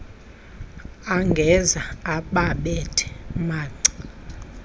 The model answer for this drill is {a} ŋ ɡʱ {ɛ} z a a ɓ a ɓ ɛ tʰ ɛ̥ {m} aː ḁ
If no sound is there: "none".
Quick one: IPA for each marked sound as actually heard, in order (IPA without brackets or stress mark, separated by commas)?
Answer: a, ɛ, m